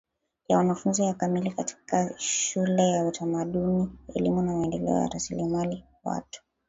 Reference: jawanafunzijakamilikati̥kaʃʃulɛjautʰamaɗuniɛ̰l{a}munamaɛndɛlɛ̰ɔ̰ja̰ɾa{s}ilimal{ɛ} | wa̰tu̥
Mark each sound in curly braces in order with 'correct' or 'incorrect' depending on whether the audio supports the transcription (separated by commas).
incorrect, correct, incorrect